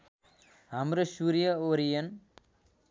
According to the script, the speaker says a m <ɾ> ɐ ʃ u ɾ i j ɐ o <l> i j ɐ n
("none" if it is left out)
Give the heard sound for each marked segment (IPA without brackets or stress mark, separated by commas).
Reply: ɾ, ɾ